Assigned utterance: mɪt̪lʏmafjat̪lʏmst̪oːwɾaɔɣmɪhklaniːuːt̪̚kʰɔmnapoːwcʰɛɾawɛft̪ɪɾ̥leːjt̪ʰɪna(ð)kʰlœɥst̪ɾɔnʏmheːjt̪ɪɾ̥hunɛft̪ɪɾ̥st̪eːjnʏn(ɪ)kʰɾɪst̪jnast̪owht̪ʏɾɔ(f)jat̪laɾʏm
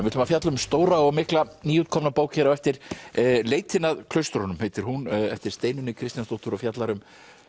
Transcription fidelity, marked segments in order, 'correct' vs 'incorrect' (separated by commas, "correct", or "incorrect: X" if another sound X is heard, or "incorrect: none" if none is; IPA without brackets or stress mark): correct, correct, correct